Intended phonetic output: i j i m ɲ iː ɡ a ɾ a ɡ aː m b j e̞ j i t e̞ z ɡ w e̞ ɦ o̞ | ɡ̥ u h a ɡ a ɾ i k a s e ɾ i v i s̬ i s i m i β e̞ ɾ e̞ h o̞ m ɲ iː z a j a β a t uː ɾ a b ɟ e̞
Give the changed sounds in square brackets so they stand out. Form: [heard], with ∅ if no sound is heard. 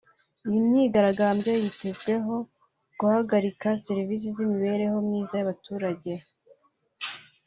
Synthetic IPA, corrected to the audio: i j i m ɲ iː ɡ a ɾ a ɡ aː m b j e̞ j i t e̞ z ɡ w e̞ ɦ o̞ | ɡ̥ u h a ɡ a ɾ i k a s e ɾ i v i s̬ i [z] i m i β e̞ ɾ e̞ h o̞ m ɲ iː z a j a β a t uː ɾ a [∅] ɟ e̞